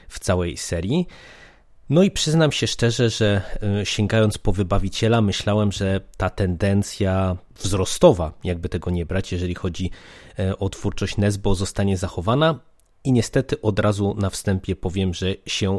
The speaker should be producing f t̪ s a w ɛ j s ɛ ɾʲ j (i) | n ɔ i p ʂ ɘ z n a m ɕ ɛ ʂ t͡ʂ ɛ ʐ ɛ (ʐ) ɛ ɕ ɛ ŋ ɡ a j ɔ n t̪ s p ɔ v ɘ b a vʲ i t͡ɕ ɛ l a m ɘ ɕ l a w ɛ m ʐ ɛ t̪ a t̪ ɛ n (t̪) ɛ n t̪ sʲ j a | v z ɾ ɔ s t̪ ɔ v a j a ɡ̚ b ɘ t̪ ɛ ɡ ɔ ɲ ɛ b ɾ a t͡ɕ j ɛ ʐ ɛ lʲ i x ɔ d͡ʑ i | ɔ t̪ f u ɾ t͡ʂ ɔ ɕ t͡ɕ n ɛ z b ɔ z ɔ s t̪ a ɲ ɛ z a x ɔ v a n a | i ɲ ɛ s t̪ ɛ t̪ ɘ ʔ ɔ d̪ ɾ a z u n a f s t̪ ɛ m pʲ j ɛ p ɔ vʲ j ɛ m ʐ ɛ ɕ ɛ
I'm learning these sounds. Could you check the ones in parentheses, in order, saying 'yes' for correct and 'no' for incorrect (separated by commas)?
yes, yes, no